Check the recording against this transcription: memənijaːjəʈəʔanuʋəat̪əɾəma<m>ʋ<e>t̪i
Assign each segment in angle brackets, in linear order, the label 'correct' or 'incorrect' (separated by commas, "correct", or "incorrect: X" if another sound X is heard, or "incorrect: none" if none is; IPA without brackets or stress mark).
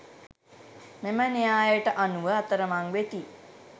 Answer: incorrect: ŋ, correct